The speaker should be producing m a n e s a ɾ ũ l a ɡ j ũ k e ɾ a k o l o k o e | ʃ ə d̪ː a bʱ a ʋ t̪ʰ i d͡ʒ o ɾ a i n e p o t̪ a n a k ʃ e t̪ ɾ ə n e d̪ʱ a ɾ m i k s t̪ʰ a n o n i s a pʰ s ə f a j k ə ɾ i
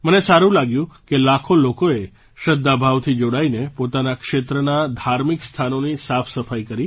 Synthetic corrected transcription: m ə n e s a ɾ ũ l a ɡ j ũ k e l a kʰ o l o k o e | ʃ ə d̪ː a bʱ a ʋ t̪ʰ i d͡ʒ o ɽ a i n e p o t̪ a n a k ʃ e t̪ ɾ ə n a d̪ʱ a ɾ m i k s t̪ʰ a n o n i s a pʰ s ə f a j k ə ɾ i